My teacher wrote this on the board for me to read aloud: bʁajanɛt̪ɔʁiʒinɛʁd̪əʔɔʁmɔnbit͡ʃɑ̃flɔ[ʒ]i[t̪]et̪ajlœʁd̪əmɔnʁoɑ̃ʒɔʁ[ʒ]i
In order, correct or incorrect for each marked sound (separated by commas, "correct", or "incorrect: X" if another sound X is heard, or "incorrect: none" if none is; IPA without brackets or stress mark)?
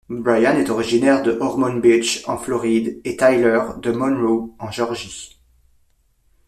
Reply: incorrect: ʁ, incorrect: d̪, correct